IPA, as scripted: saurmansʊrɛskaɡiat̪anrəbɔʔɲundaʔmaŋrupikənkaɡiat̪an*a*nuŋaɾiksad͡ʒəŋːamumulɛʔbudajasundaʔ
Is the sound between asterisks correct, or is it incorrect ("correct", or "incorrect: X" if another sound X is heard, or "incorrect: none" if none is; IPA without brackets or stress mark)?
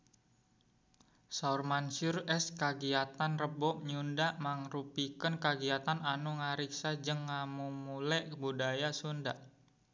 correct